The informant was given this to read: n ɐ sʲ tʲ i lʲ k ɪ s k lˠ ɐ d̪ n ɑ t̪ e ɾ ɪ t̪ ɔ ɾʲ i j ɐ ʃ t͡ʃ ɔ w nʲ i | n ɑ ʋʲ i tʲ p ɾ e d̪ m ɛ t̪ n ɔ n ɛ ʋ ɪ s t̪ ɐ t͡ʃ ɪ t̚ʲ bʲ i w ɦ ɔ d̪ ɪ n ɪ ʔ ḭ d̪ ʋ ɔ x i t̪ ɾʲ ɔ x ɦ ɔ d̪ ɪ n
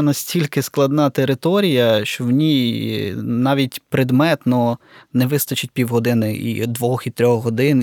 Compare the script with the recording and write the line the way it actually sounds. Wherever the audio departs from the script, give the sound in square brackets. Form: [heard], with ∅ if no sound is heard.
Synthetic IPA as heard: n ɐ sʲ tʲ i lʲ k ɪ s k lˠ ɐ d̪ n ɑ t̪ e ɾ ɪ t̪ ɔ ɾʲ i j ɐ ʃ t͡ʃ ɔ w nʲ i | n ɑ ʋʲ i tʲ p ɾ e d̪ m ɛ t̪ n ɔ n ɛ ʋ ɪ s t̪ ɐ t͡ʃ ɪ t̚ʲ [pʲ] i w ɦ ɔ d̪ ɪ n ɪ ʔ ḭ d̪ ʋ ɔ x i t̪ ɾʲ ɔ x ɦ ɔ d̪ ɪ n